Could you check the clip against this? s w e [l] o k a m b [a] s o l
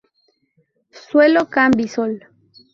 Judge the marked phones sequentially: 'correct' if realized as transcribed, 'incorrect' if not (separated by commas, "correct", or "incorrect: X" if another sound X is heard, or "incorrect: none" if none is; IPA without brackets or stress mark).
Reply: correct, incorrect: i